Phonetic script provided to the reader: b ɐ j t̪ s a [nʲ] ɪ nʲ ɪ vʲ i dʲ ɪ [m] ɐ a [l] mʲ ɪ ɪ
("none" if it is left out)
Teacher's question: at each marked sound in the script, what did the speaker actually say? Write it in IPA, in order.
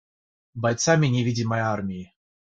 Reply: mʲ, m, r

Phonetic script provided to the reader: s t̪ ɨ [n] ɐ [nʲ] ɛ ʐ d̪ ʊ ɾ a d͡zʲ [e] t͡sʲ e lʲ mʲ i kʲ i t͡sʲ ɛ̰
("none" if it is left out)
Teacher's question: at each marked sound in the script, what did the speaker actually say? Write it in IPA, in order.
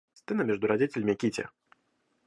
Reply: n, mʲ, i

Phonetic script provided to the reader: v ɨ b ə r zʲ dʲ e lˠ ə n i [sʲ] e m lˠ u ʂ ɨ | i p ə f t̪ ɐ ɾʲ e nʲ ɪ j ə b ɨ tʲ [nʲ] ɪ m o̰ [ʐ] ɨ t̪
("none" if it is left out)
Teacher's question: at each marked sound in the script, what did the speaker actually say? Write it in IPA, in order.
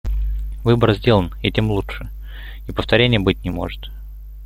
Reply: tʲ, nʲ, ʐ

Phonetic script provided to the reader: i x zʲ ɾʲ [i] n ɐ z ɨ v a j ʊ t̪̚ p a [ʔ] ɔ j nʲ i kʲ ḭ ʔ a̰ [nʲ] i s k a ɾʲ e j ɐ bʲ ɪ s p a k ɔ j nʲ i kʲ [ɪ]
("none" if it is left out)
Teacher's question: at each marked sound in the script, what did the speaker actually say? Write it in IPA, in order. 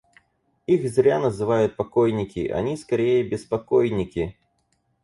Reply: a, k, nʲ, i

